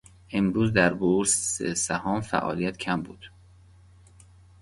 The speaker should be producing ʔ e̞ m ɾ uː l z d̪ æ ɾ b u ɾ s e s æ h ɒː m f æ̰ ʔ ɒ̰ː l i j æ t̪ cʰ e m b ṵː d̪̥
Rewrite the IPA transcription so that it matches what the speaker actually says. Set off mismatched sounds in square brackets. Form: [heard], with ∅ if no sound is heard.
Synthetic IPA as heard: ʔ e̞ m ɾ uː [∅] z d̪ æ ɾ b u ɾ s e s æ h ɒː m f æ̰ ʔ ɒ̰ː l i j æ t̪ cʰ [æ] m b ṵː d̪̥